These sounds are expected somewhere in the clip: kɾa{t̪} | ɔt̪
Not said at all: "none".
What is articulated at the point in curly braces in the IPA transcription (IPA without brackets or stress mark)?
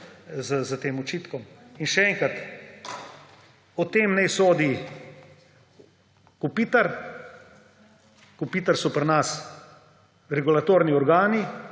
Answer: t̪